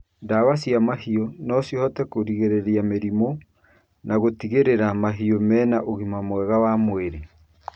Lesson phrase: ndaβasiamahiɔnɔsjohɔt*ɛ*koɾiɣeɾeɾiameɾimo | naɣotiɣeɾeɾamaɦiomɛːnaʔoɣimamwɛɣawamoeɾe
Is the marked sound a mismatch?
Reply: no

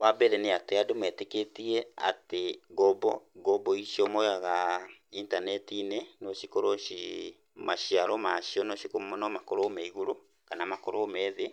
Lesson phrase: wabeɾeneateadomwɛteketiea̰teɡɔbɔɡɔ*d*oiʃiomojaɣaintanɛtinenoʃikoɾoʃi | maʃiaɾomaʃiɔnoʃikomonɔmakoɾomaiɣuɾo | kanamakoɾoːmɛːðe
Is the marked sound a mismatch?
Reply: yes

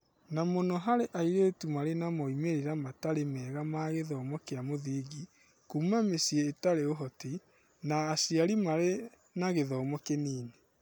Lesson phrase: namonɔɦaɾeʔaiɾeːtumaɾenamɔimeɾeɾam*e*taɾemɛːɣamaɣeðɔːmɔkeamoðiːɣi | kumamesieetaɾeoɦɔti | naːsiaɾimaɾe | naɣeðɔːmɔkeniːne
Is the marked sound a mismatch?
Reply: yes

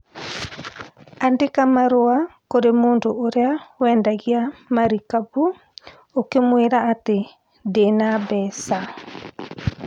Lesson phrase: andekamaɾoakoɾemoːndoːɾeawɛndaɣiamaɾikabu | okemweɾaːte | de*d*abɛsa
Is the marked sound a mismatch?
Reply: yes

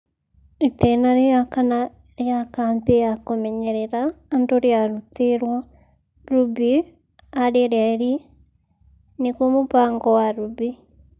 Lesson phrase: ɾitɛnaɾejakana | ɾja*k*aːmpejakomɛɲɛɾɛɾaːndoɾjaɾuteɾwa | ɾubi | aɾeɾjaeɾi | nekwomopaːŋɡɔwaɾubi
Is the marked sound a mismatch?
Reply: no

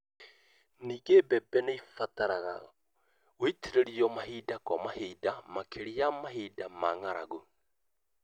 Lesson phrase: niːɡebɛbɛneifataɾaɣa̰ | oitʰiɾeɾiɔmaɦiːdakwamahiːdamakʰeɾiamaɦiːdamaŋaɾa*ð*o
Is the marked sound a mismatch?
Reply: yes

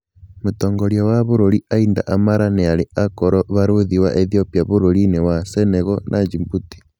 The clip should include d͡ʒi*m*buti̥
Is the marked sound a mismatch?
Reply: no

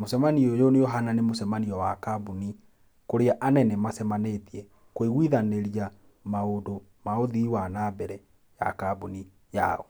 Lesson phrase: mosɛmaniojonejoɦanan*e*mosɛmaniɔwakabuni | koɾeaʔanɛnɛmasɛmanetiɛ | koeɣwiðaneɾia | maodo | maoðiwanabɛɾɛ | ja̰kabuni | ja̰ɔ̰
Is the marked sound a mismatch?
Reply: no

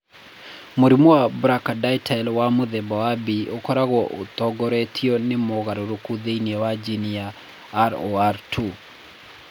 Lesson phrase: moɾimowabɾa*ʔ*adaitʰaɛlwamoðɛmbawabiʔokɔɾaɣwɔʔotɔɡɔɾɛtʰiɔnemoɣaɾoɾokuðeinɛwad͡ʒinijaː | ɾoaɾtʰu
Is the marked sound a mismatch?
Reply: yes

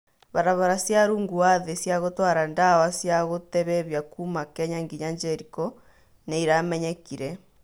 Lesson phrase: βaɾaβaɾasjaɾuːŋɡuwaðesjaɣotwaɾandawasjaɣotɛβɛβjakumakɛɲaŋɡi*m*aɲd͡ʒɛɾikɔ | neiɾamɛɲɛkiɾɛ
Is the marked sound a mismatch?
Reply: yes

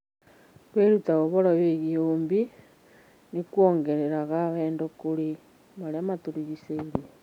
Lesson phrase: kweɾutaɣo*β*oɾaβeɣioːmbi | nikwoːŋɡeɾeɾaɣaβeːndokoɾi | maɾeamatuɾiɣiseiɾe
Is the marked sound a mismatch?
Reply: no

